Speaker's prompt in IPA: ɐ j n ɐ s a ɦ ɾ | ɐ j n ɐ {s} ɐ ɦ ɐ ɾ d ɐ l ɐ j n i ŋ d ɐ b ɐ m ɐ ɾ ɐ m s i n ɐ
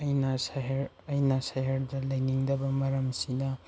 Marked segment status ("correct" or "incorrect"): correct